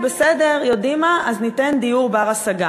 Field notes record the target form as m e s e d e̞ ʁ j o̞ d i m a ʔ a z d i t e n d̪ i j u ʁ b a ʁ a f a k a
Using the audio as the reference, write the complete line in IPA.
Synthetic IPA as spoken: b e s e d e̞ ʁ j o̞ d i m a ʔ a z n i t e n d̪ i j u ʁ b a ʁ a s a ɡ a